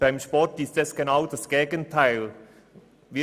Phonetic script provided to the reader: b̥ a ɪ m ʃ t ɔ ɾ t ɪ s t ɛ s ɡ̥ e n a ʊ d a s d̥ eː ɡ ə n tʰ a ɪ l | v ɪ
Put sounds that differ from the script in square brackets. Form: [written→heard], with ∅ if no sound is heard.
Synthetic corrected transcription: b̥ a ɪ m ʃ [t→p] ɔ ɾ t ɪ s t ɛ s ɡ̥ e n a ʊ d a s [d̥→ɡ̥] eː ɡ ə n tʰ a ɪ l | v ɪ